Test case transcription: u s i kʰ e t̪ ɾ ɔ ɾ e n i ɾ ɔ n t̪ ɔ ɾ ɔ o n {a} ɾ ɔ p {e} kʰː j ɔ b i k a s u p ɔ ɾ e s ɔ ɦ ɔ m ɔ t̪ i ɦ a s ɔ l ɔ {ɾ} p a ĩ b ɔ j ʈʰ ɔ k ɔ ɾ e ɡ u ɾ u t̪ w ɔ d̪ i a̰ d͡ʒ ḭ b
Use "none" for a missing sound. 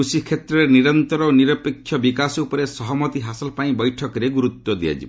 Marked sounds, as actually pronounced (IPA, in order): i, e, none

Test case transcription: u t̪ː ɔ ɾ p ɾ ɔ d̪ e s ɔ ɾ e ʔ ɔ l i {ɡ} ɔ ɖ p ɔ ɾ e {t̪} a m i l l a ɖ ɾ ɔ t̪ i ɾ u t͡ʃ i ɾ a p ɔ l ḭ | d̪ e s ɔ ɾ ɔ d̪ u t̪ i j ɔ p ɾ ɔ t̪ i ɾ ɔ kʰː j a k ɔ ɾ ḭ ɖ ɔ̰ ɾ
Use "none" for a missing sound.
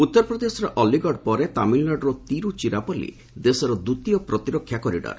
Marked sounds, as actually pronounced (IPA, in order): ɡ, t̪

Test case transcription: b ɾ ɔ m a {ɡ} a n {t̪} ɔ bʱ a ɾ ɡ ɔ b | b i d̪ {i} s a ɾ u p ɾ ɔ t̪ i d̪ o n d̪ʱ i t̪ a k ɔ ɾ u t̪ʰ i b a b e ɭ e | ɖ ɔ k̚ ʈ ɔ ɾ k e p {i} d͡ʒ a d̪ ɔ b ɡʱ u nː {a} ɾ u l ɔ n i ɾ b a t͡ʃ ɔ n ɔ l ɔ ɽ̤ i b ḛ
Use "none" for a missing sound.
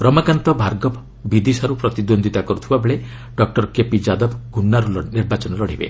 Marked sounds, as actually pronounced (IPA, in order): k, t̪, i, i, a

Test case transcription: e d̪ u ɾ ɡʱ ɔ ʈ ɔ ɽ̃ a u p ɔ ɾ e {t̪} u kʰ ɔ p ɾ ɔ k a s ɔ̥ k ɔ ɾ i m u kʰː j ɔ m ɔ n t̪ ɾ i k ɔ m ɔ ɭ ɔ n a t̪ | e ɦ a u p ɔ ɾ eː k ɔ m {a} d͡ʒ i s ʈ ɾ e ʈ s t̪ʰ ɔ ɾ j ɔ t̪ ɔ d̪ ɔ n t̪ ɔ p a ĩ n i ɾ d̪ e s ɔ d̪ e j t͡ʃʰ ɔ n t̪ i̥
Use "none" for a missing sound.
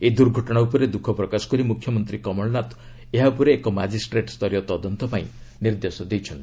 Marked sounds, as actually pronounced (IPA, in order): d̪, a

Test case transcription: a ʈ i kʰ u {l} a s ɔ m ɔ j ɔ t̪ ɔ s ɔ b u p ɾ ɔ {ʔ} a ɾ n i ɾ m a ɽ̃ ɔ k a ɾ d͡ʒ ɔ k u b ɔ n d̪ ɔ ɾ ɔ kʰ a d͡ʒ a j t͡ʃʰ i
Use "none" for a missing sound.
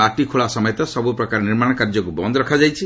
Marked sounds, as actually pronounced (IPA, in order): ɭ, k

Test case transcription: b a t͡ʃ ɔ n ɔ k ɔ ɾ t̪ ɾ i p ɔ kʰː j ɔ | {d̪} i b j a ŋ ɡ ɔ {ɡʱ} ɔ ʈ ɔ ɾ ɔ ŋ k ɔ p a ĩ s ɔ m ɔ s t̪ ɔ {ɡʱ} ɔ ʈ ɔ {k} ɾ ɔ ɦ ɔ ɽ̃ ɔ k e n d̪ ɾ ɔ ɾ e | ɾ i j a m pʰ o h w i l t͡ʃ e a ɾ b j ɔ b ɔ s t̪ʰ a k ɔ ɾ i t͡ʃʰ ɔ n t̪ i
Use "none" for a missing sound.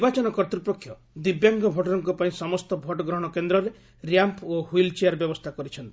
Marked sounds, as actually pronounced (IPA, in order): d̪, bʱ, bʱ, ɡ

